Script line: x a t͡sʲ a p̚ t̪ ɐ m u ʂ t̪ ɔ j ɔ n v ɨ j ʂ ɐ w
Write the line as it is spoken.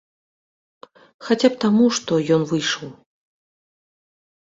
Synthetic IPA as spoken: x a t͡sʲ a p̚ t̪ a m u ʂ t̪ ɔ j ɔ n v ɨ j ʂ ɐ w